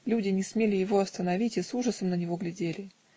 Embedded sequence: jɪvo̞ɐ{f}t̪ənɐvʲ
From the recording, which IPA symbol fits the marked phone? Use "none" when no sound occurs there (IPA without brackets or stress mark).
s